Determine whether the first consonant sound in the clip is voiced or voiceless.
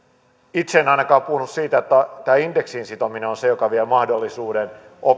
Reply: voiceless